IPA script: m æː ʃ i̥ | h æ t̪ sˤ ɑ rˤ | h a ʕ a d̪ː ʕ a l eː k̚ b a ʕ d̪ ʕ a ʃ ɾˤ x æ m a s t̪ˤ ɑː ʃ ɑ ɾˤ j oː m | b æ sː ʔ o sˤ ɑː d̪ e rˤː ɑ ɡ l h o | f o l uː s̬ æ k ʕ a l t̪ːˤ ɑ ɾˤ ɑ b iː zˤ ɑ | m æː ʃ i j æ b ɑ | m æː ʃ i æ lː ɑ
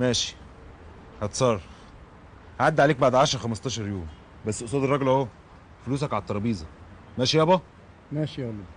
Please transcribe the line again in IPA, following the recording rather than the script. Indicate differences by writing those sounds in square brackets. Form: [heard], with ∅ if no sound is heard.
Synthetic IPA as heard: m æː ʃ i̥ | h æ t̪ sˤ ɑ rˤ | h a ʕ a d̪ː ʕ a l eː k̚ b a ʕ d̪ ʕ a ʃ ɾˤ x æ m [ɑ] s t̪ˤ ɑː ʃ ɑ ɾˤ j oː m | b æ sː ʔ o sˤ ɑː d̪ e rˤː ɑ ɡ l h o | f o l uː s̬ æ k ʕ a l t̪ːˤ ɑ ɾˤ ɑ b iː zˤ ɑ | m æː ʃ i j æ b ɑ | m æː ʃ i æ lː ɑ